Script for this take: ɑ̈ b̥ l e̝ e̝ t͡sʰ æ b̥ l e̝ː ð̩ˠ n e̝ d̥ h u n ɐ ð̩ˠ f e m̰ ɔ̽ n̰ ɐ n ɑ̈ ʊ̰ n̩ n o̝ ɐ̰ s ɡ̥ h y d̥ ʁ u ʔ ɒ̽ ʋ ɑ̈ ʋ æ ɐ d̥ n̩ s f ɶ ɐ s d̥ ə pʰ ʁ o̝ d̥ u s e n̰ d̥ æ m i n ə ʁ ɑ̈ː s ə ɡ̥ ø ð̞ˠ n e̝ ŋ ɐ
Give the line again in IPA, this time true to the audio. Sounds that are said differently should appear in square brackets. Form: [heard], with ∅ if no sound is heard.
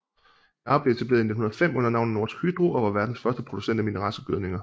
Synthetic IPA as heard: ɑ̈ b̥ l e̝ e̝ t͡sʰ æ b̥ l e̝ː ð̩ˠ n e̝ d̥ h u n ɐ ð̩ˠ f e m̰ ɔ̽ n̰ ɐ n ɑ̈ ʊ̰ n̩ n o̝ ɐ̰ s ɡ̥ h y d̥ ʁ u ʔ ɒ̽ ʋ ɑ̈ ʋ æ ɐ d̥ n̩ s f ɶ ɐ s d̥ ə pʰ ʁ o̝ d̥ u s e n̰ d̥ æ m i n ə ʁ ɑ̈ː s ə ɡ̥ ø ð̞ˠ n e̝ ŋ ɐ